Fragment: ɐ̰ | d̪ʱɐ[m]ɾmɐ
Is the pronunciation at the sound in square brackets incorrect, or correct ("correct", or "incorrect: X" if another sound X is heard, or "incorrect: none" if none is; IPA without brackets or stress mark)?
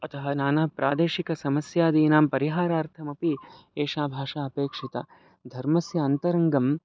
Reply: incorrect: none